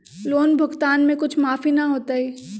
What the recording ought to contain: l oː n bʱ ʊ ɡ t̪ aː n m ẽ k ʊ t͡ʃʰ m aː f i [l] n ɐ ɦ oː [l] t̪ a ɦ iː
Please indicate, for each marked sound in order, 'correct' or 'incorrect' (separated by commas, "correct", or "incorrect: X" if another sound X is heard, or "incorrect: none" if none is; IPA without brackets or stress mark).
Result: incorrect: none, incorrect: none